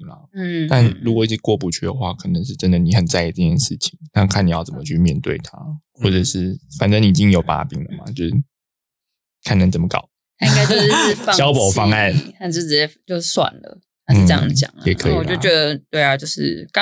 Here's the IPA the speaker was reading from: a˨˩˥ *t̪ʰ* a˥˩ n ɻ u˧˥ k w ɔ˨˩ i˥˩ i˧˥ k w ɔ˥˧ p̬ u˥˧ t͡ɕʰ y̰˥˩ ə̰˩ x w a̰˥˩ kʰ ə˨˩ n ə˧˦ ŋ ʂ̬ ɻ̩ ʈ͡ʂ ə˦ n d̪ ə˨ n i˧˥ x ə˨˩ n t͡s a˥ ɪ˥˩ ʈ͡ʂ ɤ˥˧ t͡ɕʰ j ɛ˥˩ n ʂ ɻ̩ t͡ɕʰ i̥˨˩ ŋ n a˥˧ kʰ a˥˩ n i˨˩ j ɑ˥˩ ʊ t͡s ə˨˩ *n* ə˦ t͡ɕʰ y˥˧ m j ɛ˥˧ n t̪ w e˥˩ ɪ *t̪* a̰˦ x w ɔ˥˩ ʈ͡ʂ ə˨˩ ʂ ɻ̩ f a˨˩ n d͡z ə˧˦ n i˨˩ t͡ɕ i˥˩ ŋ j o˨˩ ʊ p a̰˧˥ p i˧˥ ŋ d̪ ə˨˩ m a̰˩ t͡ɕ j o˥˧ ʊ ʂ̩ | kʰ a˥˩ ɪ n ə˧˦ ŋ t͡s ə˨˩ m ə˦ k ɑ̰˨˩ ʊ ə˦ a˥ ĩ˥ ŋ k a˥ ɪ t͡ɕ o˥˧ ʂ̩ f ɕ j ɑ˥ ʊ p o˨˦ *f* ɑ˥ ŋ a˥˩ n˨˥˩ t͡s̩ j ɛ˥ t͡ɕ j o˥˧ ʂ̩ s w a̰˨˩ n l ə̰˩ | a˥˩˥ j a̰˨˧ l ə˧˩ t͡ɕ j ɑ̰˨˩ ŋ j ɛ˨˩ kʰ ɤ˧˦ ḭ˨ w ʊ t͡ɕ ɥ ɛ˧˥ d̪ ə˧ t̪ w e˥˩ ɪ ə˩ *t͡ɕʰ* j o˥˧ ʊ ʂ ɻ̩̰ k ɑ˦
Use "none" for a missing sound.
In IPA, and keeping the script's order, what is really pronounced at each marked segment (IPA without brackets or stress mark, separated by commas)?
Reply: t̪, m, t̪ʰ, f, t͡ɕ